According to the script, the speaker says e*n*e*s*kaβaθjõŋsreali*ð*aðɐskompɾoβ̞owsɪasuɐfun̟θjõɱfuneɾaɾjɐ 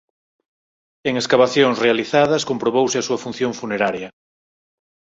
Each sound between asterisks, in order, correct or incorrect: incorrect: ŋ, correct, incorrect: θ

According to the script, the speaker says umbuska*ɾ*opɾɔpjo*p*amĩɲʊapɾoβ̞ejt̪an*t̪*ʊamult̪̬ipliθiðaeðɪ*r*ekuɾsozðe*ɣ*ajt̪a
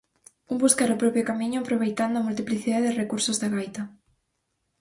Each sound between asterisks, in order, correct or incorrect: correct, incorrect: k, incorrect: d̪, correct, correct

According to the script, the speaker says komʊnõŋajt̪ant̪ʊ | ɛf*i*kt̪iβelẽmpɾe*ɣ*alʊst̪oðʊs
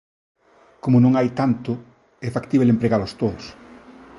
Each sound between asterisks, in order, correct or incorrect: incorrect: a, correct

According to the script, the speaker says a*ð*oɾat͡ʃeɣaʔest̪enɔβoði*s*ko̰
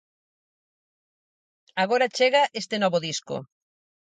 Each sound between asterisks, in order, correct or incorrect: incorrect: ɣ, correct

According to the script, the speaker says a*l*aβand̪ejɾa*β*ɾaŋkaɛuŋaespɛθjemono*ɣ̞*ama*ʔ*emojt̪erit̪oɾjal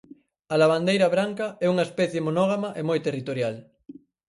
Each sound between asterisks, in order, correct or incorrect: correct, correct, correct, correct

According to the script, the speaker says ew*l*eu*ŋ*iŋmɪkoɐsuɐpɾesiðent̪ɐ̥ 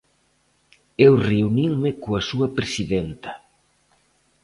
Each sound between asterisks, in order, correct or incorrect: incorrect: r, incorrect: n

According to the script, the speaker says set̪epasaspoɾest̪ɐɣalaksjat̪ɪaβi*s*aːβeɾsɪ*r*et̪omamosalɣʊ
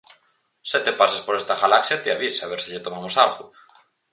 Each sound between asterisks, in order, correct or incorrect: correct, incorrect: ʎ

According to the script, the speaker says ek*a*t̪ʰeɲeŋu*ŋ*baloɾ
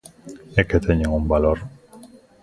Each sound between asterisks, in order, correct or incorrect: incorrect: e, incorrect: m

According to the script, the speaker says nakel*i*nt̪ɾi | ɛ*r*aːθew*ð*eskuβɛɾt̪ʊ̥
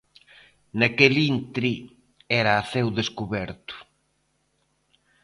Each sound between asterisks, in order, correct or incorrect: correct, incorrect: ɾ, correct

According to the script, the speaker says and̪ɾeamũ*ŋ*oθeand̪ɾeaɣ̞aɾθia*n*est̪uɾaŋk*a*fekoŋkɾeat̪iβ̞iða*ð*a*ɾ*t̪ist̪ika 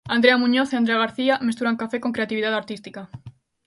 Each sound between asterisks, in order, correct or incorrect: incorrect: ɲ, incorrect: m, correct, correct, correct

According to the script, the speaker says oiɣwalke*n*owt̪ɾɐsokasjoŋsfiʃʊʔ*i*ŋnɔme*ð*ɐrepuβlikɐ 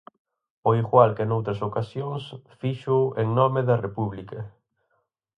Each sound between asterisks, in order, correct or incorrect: correct, incorrect: e, correct

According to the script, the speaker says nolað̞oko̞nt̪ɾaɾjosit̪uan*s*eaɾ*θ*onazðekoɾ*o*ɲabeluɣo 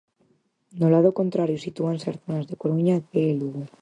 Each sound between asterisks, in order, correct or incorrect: correct, correct, incorrect: u

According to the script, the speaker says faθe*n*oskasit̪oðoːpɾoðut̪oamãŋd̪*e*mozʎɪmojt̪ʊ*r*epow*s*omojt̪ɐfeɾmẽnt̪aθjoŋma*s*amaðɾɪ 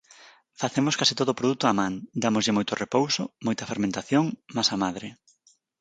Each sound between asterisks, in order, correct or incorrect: incorrect: m, incorrect: a, correct, correct, correct

